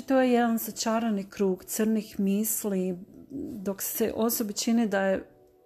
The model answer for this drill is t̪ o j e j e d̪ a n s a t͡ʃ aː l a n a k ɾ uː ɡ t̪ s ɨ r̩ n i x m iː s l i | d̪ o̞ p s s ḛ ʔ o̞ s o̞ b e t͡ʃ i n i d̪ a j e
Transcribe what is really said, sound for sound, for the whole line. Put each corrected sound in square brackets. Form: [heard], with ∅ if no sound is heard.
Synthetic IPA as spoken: t̪ o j e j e d̪ a n s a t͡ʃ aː [ɾ] a n [i] k ɾ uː ɡ t̪ s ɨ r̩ n i x m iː s l i | d̪ o̞ [k] s s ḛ ʔ o̞ s o̞ b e t͡ʃ i n i d̪ a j e